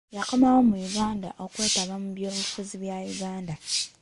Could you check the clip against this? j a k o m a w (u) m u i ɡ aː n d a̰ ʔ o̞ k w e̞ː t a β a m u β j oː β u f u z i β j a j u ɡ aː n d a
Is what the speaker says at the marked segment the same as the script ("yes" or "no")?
no